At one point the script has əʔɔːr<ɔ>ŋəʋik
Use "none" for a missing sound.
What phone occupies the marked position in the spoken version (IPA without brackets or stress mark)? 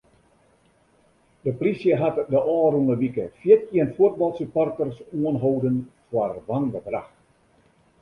u